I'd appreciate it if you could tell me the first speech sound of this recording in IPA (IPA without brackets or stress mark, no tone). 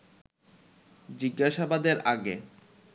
d͡ʑ